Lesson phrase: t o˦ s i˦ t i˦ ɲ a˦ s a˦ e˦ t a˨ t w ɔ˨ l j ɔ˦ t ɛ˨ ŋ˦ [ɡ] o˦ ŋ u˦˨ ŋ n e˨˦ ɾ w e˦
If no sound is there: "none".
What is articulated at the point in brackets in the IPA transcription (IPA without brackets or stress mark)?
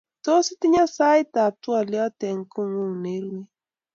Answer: k